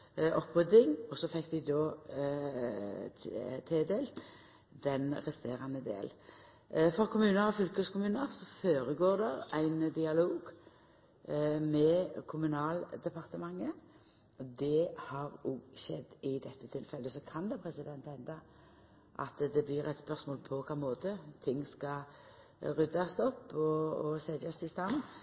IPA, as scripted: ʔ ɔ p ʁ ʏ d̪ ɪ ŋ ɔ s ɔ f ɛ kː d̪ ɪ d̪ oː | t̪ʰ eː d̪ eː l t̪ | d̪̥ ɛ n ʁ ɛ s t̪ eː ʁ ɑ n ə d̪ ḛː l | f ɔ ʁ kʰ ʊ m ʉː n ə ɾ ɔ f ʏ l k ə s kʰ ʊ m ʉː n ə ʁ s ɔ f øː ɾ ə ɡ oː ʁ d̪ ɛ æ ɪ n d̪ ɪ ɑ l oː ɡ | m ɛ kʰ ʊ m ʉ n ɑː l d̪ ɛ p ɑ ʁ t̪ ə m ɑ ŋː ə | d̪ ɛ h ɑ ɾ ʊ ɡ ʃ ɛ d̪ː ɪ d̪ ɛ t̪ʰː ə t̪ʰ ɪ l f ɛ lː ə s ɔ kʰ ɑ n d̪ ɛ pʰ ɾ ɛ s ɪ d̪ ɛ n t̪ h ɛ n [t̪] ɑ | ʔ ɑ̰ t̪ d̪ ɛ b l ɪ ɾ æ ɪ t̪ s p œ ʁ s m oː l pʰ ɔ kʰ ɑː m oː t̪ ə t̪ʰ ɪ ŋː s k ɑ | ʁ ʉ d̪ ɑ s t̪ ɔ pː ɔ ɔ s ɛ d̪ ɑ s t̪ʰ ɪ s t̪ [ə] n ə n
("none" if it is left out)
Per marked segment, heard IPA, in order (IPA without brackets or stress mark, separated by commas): d̪, ɑ